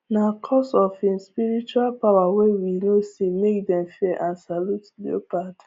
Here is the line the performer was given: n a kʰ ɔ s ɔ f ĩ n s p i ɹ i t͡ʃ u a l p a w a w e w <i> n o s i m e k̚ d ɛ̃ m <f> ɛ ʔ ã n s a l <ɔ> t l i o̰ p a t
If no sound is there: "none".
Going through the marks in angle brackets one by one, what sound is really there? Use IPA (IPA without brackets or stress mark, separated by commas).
i, f, u